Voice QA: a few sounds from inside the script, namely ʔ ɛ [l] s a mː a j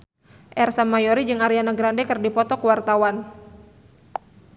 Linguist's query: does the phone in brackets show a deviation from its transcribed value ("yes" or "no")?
yes